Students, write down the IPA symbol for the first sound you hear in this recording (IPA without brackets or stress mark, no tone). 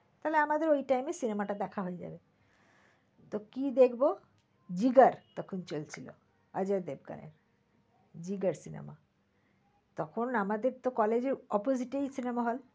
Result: t̪